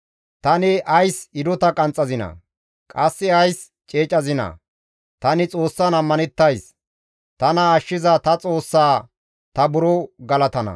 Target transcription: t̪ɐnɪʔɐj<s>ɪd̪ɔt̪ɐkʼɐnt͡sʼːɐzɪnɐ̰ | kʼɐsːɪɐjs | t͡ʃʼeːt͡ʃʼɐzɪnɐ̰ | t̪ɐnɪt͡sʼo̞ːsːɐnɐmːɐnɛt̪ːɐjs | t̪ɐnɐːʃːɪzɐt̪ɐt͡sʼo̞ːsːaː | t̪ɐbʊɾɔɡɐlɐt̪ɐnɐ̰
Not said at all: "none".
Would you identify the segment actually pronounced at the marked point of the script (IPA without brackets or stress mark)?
s